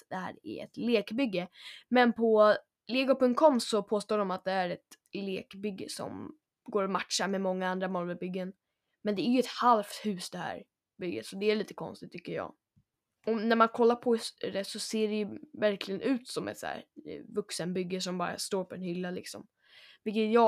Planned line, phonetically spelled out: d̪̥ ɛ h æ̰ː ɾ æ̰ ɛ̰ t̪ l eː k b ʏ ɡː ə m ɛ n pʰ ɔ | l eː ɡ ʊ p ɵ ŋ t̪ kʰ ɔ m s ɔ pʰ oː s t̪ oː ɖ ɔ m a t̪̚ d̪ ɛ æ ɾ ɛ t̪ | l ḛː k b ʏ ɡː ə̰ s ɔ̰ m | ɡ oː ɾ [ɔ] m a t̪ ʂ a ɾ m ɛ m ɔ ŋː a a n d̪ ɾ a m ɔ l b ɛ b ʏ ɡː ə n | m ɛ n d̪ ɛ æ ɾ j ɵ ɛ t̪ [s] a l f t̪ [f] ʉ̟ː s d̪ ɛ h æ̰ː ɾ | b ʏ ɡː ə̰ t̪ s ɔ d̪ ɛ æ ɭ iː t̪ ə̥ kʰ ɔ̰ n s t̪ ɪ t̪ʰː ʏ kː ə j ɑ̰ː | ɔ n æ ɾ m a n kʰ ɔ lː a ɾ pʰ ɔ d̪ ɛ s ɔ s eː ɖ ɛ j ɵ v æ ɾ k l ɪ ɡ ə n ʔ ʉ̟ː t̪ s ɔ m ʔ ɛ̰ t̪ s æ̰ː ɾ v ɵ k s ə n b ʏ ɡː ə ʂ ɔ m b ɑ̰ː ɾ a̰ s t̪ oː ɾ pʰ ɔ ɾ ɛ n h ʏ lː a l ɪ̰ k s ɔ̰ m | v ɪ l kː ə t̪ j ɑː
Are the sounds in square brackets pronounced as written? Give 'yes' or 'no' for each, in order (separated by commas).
yes, no, no